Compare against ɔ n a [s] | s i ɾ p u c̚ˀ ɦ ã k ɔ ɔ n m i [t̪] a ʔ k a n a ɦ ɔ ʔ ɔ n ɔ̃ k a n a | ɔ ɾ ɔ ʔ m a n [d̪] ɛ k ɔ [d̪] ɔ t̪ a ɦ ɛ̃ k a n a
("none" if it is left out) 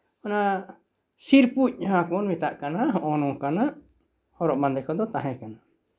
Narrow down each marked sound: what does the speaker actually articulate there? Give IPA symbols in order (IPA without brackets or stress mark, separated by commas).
none, t̪, d̪, d̪